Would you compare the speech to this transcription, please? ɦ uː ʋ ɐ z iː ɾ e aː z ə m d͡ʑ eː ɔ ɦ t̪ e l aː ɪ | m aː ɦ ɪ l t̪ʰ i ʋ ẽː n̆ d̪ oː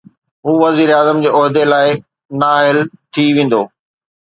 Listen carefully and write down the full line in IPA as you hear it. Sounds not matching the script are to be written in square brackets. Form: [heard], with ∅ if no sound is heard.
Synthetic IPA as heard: ɦ uː ʋ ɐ z iː ɾ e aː z ə m d͡ʑ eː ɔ ɦ [d̪] e l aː ɪ | [n] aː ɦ ɪ l t̪ʰ i ʋ ẽː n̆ d̪ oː

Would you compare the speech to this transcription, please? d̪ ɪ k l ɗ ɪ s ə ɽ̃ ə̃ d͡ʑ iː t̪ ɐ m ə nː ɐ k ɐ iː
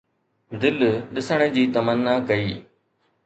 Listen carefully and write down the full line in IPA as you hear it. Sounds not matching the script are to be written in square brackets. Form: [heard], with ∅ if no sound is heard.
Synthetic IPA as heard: d̪ ɪ [∅] l ɗ ɪ s ə ɽ̃ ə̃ d͡ʑ iː t̪ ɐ m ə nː [a] k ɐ iː

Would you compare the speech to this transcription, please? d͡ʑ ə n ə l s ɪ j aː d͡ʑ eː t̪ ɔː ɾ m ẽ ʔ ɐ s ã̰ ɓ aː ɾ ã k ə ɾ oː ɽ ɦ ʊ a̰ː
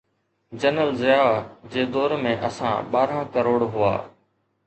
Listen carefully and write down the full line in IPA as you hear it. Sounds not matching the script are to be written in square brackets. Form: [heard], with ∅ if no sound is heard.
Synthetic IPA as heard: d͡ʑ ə n ə l [z] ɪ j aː d͡ʑ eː [d̪] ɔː ɾ m ẽ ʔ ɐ s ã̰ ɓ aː ɾ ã k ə ɾ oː ɽ ɦ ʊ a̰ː

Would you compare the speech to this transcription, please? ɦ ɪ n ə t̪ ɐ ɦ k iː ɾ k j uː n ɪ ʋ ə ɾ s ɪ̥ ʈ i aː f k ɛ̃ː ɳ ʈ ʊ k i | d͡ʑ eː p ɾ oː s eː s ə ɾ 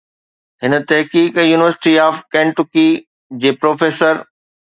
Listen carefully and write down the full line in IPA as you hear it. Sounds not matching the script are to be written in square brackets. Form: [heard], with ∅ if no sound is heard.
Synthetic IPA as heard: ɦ ɪ n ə t̪ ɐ ɦ k iː [∅] k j uː n ɪ ʋ ə ɾ s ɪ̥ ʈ i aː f k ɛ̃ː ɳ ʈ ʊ k i | d͡ʑ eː p ɾ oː [f] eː s ə ɾ

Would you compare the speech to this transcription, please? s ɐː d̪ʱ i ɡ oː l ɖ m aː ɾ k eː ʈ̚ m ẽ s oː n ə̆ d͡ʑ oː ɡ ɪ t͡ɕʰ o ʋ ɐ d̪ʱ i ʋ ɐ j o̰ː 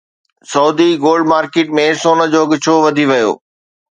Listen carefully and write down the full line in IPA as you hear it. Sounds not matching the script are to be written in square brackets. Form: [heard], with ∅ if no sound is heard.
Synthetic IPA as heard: s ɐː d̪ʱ i ɡ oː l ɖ m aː ɾ k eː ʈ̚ m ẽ s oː n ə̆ d͡ʑ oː ɡ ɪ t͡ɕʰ o ʋ ɐ d̪ʱ i ʋ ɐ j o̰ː

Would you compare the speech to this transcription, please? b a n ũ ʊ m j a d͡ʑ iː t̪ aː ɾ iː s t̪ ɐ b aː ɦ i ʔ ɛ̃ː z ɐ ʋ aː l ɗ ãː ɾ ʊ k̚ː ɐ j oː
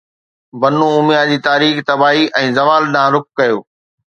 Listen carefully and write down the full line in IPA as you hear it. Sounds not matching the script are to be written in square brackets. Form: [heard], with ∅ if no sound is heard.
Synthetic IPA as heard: b [ɐ] n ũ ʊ m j a d͡ʑ iː t̪ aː ɾ iː [x] t̪ ɐ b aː ɦ i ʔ ɛ̃ː z ɐ ʋ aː l ɗ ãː ɾ ʊ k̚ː ɐ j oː

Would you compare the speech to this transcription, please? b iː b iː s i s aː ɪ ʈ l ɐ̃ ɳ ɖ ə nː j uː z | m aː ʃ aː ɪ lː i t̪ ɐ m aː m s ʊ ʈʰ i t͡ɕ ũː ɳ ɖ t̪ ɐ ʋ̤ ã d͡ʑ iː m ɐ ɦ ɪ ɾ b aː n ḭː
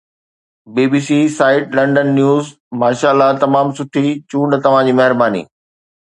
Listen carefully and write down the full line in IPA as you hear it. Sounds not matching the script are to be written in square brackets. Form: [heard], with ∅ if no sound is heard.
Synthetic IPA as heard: b iː b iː s i s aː ɪ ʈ l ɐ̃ ɳ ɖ ə nː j uː z | m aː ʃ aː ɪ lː [a] t̪ ɐ m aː m s ʊ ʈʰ i t͡ɕ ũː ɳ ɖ t̪ ɐ ʋ̤ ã d͡ʑ iː m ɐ ɦ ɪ ɾ b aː n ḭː

